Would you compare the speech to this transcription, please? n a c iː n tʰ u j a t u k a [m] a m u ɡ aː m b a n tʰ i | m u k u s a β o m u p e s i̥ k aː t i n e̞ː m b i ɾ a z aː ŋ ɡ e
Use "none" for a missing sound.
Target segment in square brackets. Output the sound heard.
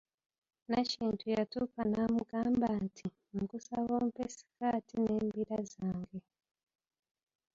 n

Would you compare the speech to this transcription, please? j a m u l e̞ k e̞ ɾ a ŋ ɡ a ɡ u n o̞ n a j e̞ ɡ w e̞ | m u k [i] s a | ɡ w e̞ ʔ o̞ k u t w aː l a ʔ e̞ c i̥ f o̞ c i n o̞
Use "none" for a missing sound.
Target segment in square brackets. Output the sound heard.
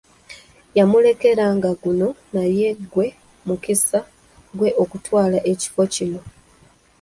i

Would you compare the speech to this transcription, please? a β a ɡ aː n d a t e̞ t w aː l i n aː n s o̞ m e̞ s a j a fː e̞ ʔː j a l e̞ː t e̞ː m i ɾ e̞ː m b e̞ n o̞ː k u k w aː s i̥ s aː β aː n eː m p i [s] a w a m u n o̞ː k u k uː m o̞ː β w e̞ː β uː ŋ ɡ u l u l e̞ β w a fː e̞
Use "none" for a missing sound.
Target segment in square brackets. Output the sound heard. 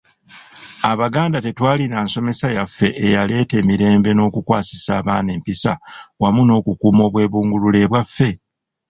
s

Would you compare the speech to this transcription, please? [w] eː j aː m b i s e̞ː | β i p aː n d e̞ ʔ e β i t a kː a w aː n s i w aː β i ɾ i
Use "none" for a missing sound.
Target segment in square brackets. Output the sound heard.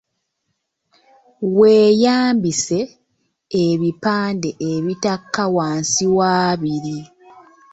w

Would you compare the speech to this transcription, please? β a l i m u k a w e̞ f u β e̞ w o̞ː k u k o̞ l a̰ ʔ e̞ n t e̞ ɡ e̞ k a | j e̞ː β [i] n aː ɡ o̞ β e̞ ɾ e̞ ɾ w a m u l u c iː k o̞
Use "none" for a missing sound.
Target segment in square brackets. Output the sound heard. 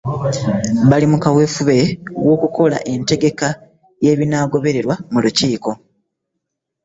i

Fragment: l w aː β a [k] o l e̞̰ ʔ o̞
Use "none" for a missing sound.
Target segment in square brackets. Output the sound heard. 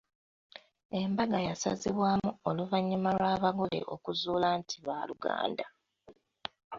ɡ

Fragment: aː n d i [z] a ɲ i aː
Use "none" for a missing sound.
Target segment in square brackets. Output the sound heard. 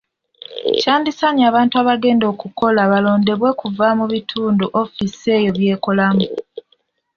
s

